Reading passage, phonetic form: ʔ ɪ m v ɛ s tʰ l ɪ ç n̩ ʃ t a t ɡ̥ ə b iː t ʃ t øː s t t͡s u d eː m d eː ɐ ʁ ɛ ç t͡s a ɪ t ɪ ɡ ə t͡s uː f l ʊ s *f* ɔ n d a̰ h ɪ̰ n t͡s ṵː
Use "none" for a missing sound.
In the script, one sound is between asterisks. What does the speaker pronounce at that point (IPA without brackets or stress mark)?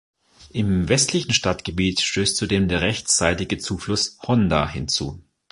h